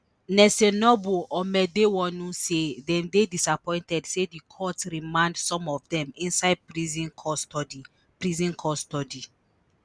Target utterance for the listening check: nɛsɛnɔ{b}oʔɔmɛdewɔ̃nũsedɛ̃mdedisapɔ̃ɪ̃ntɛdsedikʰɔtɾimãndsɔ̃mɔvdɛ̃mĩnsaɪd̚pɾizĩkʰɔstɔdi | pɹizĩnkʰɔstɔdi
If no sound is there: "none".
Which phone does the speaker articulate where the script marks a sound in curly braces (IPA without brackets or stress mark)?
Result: b